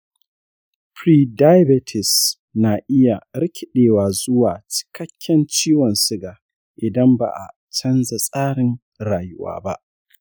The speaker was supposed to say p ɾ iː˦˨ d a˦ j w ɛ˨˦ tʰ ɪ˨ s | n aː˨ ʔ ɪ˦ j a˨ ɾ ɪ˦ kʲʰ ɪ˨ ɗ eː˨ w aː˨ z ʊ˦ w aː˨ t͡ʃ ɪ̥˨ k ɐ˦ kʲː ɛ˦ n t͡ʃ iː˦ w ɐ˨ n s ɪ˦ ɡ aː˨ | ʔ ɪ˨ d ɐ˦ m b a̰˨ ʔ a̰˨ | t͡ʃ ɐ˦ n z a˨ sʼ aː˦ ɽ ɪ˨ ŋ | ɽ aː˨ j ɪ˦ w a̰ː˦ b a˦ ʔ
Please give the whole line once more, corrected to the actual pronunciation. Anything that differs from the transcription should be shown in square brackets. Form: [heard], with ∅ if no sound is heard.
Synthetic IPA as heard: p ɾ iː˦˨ d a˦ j [b] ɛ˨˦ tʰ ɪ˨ s | n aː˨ ʔ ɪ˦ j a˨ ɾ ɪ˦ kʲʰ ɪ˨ ɗ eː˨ w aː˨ z ʊ˦ w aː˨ t͡ʃ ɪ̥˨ k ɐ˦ kʲː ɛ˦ n t͡ʃ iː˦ w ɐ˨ n s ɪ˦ ɡ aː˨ | ʔ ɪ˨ d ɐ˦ m b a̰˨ ʔ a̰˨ | t͡ʃ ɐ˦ n z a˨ sʼ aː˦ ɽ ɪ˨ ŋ | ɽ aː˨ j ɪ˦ w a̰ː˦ b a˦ ʔ